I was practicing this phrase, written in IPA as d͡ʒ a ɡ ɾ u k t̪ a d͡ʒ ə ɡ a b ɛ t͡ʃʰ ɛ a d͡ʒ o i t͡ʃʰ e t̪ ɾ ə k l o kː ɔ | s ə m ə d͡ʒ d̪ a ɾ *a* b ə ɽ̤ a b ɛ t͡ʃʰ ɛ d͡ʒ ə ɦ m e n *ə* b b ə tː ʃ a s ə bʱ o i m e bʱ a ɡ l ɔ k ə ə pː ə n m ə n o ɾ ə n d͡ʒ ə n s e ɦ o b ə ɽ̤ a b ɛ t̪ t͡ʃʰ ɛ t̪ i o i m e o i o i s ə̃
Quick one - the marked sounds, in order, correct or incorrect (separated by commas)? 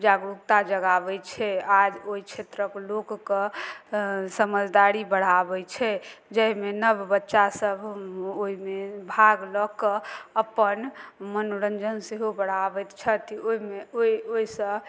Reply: incorrect, correct